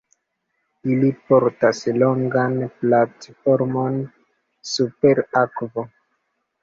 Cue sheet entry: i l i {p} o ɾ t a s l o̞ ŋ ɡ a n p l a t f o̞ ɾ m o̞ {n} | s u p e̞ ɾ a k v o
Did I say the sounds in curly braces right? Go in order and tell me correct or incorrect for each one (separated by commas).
correct, correct